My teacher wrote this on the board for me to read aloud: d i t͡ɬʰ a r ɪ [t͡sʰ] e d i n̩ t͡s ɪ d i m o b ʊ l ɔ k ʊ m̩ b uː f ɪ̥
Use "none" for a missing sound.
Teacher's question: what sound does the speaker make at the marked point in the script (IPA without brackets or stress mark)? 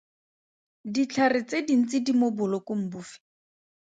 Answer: t͡s